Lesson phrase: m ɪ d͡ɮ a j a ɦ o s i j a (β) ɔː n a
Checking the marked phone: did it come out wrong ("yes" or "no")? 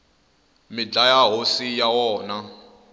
yes